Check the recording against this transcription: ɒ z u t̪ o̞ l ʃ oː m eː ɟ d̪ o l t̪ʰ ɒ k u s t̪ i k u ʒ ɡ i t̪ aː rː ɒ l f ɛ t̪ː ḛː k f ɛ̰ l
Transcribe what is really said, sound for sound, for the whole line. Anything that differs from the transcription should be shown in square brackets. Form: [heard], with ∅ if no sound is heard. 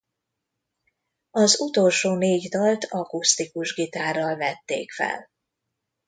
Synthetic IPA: ɒ z u t̪ o̞ l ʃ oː [n] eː ɟ d̪ [ɒ] l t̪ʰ ɒ k u s t̪ i k u ʒ ɡ i t̪ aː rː ɒ l [v] ɛ t̪ː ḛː k f ɛ̰ l